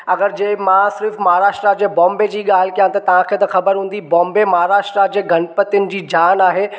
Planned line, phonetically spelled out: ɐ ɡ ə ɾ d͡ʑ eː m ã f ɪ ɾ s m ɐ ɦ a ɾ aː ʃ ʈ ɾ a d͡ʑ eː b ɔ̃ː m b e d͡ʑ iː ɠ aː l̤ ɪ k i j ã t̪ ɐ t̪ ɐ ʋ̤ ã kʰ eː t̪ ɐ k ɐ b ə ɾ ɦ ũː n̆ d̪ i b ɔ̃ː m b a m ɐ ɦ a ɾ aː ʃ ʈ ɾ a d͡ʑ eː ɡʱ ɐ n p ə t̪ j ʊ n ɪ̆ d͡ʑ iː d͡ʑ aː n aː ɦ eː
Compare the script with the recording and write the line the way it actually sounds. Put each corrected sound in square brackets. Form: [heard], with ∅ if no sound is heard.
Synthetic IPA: ɐ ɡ ə ɾ d͡ʑ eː m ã [s] ɪ ɾ [f] m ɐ ɦ a ɾ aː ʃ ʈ ɾ a d͡ʑ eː b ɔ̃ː m b e d͡ʑ iː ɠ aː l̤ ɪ k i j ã t̪ ɐ t̪ ɐ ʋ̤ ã kʰ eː t̪ ɐ [x] ɐ b ə ɾ ɦ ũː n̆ d̪ i b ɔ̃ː m b [e] m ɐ ɦ a ɾ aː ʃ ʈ ɾ a d͡ʑ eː ɡʱ ɐ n p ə t̪ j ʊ n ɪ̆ d͡ʑ iː d͡ʑ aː n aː ɦ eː